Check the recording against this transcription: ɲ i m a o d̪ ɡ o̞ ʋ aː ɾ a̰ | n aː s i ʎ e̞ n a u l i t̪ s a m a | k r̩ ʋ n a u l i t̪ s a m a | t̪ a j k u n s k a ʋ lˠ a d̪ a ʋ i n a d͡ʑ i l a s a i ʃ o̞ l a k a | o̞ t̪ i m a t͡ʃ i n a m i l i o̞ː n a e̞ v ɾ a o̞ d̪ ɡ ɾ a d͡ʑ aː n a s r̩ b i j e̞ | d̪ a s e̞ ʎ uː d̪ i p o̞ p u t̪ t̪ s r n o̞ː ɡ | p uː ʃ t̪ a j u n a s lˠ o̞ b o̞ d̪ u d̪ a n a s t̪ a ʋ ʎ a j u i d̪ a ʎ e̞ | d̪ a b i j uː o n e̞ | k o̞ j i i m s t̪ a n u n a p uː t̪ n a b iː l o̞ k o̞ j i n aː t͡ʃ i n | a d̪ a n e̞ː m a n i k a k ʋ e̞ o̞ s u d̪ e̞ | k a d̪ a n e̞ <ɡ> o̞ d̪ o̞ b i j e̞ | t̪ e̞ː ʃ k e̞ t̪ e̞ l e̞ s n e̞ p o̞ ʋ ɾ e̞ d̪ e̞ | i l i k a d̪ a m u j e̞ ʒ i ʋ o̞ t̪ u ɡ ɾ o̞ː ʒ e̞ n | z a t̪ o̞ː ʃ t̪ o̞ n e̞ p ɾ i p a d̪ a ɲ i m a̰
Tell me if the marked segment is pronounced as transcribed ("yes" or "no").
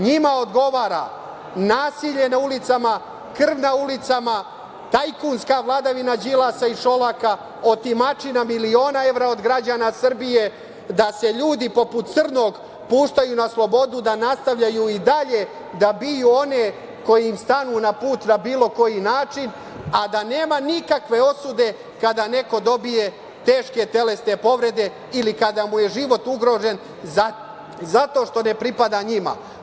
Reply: no